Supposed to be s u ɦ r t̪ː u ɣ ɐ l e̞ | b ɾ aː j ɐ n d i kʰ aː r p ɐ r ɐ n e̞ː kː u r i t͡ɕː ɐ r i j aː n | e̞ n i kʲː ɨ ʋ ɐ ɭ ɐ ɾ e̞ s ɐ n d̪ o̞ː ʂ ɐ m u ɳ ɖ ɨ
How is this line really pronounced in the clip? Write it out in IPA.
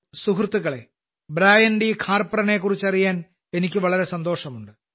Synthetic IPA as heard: s u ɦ r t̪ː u ɣ ɐ ɭ e̞ | b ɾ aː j ɐ n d i kʰ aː r p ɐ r ɐ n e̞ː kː u r i t͡ɕː ɐ r i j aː n | e̞ n i kʲː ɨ ʋ ɐ ɭ ɐ ɾ e̞ s ɐ n d̪ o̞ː ʂ ɐ m u ɳ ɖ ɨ

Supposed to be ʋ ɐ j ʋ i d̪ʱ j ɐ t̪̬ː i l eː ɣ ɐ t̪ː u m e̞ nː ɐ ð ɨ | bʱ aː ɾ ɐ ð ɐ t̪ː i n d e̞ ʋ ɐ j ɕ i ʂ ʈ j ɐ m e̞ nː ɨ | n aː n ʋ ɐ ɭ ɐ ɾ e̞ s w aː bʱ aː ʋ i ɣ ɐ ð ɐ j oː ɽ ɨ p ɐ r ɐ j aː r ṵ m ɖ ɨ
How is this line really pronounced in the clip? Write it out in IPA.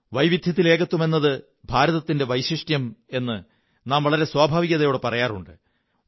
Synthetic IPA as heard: ʋ ɐ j ʋ i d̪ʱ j ɐ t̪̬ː i l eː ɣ ɐ t̪ː u m e̞ nː ɐ ð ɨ | bʱ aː ɾ ɐ ð ɐ t̪ː i n d e̞ ʋ ɐ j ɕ i ʂ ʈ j ɐ m e̞ nː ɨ | n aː m ʋ ɐ ɭ ɐ ɾ e̞ s w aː bʱ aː ʋ i ɣ ɐ ð ɐ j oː ɽ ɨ p ɐ r ɐ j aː r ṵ ɳ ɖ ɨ

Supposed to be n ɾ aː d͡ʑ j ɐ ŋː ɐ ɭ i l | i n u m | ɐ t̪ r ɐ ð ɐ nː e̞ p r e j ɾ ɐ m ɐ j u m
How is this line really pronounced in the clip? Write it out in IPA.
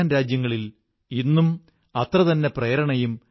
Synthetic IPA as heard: n ɾ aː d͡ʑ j ɐ ŋː ɐ ɭ i l | i nː u m | ɐ t̪ r ɐ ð ɐ nː e̞ p r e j ɾ ɐ ɳ ɐ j u m

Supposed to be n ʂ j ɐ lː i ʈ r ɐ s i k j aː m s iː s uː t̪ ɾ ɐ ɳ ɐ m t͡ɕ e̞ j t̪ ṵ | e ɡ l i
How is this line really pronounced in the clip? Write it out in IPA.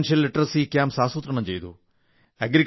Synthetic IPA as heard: n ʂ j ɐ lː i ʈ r ɐ s i k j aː m s aː s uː t̪ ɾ ɐ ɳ ɐ m t͡ɕ e̞ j t̪ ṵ | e ɡ ɾ i

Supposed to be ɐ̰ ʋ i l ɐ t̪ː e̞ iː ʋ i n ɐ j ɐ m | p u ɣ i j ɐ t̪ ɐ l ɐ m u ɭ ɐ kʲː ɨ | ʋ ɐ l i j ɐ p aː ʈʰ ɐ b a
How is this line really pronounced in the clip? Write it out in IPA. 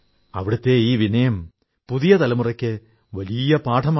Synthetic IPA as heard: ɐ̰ ʋ i ɽ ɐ t̪ː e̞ iː ʋ i n ɐ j ɐ m | p u ð i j ɐ t̪ ɐ l ɐ m u r ɐ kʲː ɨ | ʋ ɐ l i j ɐ p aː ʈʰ ɐ m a

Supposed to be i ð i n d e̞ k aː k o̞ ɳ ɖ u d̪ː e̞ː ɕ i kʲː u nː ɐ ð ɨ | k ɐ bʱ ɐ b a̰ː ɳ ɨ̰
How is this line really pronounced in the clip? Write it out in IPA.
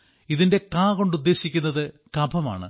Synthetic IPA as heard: i ð i n d e̞ k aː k o̞ ɳ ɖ u d̪ː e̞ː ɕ i kʲː u nː ɐ ð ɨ | k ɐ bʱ ɐ m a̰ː ɳ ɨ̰

